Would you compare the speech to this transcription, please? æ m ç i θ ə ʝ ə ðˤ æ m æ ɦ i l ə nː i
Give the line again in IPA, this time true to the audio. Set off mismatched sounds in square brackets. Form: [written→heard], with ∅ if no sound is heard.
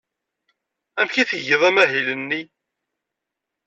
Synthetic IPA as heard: æ m ç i θ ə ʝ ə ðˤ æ m æ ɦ i l ə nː i